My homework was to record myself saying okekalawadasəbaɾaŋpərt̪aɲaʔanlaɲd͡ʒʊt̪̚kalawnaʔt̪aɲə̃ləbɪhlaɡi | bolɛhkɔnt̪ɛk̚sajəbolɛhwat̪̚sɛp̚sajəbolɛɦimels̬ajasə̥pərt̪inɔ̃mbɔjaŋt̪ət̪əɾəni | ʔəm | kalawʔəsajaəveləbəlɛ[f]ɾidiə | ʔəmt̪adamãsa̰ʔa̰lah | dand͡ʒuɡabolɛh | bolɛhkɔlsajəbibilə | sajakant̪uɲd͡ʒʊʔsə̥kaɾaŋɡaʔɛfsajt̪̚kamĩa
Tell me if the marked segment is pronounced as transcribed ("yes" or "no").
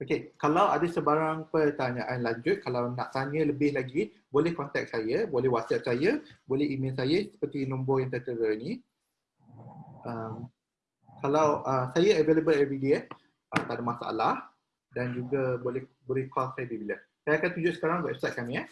no